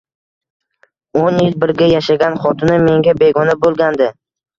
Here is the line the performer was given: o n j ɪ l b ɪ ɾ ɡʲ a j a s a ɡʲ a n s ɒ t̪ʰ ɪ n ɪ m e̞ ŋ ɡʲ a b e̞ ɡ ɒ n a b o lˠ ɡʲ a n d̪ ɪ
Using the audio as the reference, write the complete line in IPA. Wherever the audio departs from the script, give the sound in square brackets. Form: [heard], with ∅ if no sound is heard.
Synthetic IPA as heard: o n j ɪ l b ɪ ɾ ɡʲ a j a [ʃ] a ɡʲ a n [χ] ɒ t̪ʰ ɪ n ɪ m e̞ ŋ ɡʲ a b e̞ ɡ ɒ n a b o lˠ ɡʲ a n d̪ ɪ